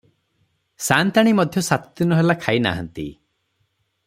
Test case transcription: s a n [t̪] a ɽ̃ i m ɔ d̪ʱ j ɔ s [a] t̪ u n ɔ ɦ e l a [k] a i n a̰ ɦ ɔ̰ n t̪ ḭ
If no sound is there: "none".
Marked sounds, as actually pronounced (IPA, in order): t̪, a, kʰ

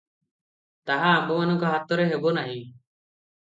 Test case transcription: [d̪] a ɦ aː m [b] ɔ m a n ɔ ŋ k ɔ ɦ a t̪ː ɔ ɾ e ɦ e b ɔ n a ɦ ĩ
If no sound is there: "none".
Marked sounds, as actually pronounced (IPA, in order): t̪, b

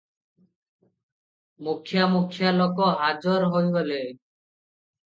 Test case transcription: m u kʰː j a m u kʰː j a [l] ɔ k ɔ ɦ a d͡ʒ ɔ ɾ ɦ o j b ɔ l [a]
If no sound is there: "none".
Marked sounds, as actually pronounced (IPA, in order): l, e

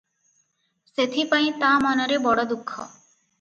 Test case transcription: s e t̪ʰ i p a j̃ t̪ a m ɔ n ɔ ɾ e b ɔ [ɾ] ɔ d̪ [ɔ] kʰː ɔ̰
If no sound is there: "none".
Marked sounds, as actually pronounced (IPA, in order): ɽ, u

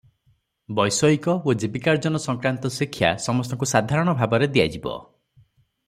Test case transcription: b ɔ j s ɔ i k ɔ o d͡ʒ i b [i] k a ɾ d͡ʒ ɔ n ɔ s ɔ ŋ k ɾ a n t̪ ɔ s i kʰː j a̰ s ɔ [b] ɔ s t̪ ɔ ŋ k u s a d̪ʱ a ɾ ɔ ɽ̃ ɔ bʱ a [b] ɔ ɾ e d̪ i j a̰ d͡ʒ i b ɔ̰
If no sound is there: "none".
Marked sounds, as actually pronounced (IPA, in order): i, m, b

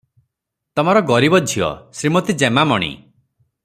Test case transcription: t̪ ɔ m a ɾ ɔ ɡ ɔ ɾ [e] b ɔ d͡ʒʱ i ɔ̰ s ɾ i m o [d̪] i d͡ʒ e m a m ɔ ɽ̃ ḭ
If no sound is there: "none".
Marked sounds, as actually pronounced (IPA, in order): i, t̪

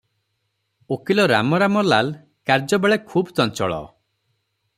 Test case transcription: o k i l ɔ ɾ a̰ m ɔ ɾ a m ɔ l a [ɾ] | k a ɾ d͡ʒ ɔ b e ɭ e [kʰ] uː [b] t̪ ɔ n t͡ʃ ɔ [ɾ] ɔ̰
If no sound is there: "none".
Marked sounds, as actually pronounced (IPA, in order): l, kʰ, b, ɭ

